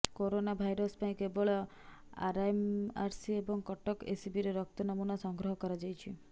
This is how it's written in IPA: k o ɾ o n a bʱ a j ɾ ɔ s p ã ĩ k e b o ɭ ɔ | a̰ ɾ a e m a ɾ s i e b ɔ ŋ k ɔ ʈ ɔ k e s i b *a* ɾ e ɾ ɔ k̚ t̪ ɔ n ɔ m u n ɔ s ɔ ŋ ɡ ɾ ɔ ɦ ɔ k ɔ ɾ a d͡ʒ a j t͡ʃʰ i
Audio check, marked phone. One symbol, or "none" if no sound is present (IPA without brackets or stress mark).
i